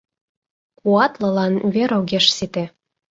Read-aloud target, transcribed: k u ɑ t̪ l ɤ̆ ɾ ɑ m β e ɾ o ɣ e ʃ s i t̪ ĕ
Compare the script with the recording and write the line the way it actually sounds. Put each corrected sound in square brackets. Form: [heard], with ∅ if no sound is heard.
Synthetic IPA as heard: k u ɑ t̪ l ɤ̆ [l] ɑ [n] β e ɾ o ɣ e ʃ s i t̪ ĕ